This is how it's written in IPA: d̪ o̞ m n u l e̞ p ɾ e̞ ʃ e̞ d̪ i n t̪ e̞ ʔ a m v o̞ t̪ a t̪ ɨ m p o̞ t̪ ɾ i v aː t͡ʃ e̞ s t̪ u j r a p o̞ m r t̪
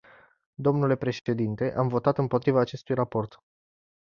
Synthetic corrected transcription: d̪ o̞ m n u l e̞ p ɾ e̞ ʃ e̞ d̪ i n t̪ e̞ ʔ a m v o̞ t̪ a t̪ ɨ m p o̞ t̪ ɾ i v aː t͡ʃ e̞ s t̪ u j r a p o̞ r t̪